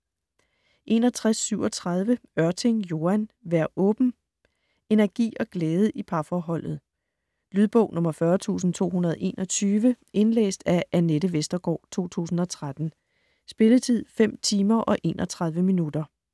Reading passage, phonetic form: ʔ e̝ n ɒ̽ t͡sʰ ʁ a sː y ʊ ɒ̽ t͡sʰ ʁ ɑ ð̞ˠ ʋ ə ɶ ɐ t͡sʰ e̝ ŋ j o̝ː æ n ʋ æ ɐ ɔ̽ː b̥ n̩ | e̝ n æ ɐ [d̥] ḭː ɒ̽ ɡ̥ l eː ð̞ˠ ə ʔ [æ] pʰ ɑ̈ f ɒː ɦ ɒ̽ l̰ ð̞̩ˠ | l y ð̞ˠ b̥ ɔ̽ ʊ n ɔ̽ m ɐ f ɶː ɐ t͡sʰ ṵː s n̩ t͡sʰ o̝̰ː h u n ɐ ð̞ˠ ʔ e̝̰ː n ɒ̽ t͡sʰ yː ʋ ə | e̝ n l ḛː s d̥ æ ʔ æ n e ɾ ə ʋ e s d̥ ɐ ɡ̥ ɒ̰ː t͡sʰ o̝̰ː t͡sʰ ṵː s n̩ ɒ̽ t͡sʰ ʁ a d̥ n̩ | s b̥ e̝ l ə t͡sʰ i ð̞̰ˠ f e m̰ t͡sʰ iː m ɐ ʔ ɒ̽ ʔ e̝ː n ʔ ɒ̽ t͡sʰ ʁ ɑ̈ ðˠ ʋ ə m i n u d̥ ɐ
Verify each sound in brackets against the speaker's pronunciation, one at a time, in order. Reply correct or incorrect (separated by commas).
incorrect, incorrect